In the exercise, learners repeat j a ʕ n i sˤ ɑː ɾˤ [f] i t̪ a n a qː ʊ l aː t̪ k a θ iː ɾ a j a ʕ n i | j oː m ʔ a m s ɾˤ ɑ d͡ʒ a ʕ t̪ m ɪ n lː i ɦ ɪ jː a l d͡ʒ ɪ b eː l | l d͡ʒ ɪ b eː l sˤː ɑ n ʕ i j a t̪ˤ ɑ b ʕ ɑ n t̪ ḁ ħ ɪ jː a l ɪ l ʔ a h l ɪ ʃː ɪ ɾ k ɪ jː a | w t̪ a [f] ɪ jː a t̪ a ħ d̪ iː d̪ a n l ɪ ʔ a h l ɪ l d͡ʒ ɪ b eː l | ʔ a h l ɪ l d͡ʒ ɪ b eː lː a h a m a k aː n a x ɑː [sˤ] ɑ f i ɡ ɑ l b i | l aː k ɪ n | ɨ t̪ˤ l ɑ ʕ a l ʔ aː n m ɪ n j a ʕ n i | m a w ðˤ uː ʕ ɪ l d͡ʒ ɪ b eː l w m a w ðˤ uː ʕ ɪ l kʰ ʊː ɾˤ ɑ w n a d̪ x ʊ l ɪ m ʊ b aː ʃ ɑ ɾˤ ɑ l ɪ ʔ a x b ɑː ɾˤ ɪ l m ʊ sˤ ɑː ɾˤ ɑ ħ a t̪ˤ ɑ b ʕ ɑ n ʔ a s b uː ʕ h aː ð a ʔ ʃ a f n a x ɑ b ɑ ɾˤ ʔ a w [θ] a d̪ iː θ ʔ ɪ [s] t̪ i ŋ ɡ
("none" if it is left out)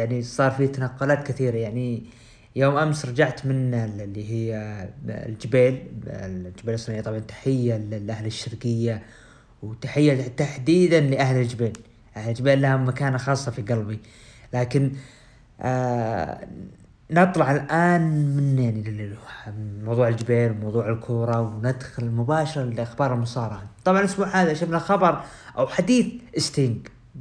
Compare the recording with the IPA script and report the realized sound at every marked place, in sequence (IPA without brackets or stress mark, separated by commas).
f, ħ, sˤː, ħ, s